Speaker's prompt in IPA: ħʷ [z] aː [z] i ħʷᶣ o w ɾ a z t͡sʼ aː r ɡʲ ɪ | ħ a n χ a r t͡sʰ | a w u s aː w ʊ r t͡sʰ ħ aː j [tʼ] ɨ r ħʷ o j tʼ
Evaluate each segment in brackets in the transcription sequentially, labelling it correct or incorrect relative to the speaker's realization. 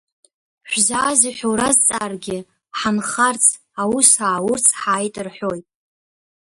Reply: correct, correct, correct

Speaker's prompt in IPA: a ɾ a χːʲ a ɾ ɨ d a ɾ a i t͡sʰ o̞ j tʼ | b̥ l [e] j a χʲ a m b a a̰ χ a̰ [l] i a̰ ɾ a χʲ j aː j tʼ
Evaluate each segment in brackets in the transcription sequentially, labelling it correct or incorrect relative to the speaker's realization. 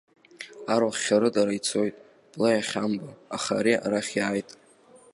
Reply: incorrect: a, incorrect: ɾ

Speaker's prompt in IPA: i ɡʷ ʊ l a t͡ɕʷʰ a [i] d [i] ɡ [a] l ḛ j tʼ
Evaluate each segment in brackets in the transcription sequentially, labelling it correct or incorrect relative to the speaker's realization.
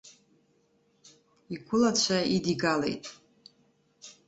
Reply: correct, correct, correct

